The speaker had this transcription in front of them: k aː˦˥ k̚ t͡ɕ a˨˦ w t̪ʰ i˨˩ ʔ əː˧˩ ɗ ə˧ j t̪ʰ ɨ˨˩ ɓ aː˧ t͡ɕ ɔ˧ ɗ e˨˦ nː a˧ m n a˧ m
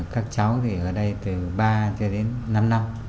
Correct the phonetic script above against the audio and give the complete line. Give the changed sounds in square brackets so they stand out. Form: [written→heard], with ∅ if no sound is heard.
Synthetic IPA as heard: k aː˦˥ k̚ t͡ɕ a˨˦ w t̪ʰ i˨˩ ʔ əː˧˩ ɗ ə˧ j [t̪ʰ→t̪] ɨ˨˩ ɓ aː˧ t͡ɕ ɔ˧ ɗ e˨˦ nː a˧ m n a˧ m

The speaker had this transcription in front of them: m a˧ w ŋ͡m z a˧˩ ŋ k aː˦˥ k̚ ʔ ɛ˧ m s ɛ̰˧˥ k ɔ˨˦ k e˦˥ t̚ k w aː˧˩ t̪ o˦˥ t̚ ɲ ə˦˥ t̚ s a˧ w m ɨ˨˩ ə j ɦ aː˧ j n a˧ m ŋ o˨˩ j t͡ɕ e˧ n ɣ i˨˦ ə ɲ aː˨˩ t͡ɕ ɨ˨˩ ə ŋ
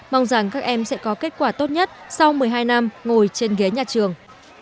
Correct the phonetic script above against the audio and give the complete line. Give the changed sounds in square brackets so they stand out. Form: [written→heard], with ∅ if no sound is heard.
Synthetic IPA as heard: m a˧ w ŋ͡m z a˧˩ ŋ k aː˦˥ k̚ ʔ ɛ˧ m s ɛ̰˧˥ k ɔ˨˦ k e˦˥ t̚ k w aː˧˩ t̪ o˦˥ t̚ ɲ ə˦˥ t̚ s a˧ w m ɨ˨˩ ə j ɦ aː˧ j n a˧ m ŋ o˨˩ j t͡ɕ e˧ n ɣ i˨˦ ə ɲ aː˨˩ t͡ɕ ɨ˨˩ ə ŋ

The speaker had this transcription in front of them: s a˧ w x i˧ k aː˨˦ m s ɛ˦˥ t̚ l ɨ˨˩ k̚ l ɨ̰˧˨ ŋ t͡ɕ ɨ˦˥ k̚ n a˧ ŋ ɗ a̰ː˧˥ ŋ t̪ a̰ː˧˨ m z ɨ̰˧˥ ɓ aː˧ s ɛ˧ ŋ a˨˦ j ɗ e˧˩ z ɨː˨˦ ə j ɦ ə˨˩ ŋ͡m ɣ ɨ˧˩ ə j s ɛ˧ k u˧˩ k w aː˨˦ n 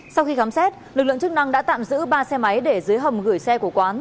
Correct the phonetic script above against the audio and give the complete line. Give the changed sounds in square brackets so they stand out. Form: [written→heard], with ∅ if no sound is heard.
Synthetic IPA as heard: s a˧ w x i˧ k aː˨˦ m s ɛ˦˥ t̚ l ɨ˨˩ k̚ l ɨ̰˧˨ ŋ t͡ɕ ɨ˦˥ k̚ n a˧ ŋ ɗ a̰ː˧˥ [ŋ→∅] t̪ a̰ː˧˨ m z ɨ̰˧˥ ɓ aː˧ s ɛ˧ [ŋ→m] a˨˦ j ɗ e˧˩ z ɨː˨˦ ə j ɦ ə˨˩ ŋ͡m ɣ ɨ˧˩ ə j s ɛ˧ k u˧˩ k w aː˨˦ n

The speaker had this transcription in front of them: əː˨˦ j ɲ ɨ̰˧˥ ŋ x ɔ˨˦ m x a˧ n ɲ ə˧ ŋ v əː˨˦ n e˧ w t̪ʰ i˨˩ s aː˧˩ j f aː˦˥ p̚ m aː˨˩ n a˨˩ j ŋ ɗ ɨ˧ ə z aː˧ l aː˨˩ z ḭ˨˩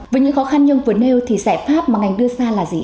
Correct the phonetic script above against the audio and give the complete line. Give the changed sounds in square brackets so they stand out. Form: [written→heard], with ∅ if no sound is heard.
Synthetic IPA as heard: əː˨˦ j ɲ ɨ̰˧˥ ŋ x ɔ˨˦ [m→∅] x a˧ n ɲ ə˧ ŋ v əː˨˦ n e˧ w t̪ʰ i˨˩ s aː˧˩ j f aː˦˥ p̚ m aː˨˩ [n→ŋ] a˨˩ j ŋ ɗ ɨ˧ ə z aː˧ l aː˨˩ z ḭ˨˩

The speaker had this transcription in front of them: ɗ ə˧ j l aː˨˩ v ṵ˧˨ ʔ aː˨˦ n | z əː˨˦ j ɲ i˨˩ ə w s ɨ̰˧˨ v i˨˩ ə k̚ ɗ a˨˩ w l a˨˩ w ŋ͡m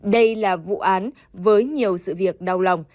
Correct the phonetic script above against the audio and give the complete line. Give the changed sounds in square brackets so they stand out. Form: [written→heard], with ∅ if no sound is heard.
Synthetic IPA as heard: ɗ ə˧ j l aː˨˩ v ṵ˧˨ ʔ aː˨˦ n | [z→v] əː˨˦ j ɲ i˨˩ ə w s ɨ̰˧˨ v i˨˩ ə k̚ ɗ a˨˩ w l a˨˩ w ŋ͡m

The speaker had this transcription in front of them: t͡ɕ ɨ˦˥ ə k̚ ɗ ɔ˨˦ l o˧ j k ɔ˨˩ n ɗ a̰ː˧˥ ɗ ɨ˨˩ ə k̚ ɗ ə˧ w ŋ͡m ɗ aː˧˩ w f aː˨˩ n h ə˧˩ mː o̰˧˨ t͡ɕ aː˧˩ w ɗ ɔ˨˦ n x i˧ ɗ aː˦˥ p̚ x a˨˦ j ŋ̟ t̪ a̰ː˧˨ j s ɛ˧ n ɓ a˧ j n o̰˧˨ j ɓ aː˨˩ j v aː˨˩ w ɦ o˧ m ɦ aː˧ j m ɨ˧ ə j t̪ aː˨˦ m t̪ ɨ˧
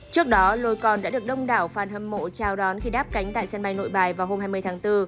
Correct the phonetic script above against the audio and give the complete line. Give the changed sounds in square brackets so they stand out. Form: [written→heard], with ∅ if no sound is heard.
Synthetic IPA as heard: t͡ɕ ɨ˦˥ ə k̚ ɗ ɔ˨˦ l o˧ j k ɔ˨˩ n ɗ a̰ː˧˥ ɗ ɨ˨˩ ə k̚ ɗ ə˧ w ŋ͡m ɗ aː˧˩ w f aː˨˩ n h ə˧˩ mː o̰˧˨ t͡ɕ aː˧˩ w ɗ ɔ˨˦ n x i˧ ɗ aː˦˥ p̚ [x→k] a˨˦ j ŋ̟ t̪ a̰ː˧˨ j s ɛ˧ n ɓ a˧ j n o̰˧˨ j ɓ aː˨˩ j v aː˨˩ w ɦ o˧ m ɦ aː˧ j m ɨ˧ ə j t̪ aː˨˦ [m→ŋ] t̪ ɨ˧

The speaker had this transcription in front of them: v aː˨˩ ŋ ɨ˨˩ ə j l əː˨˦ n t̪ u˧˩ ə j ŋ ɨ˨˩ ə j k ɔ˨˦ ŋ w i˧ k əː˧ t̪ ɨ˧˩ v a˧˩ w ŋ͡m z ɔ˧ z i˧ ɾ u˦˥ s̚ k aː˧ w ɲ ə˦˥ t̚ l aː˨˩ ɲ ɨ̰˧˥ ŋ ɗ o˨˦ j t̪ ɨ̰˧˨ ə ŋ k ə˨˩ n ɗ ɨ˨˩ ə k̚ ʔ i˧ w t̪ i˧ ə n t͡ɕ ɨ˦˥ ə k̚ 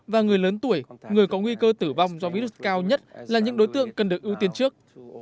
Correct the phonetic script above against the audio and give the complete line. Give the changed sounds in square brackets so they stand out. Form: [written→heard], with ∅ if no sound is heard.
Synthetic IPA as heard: v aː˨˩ ŋ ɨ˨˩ ə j l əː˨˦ n t̪ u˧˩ ə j ŋ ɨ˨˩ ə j k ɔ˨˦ ŋ w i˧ k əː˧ t̪ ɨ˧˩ v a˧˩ w ŋ͡m z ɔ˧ [z→v] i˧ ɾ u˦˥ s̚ k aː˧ w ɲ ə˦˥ t̚ l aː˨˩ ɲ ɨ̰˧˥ ŋ ɗ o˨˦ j t̪ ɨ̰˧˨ ə ŋ k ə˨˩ n ɗ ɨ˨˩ ə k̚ ʔ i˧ w t̪ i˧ ə n t͡ɕ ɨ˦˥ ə k̚

